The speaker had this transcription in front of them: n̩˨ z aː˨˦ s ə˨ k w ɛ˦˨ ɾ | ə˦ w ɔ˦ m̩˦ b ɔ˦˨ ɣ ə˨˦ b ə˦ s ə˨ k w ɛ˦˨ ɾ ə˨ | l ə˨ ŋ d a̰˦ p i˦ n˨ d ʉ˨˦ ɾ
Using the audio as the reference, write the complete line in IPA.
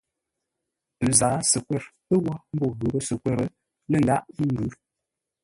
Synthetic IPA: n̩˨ z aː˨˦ s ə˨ k w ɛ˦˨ ɾ | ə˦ w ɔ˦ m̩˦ b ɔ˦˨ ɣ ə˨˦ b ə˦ s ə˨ k w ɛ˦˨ ɾ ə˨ | l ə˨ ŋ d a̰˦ ʔ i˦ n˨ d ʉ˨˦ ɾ